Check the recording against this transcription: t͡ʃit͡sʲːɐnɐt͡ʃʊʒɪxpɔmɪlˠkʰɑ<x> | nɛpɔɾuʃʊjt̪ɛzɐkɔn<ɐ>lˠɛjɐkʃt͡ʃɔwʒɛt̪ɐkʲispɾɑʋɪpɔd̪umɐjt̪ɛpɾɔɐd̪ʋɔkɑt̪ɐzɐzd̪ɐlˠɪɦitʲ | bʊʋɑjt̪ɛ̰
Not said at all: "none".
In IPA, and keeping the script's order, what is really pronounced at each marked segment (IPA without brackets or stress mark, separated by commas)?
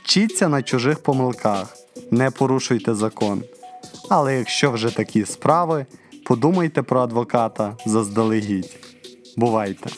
x, ɐ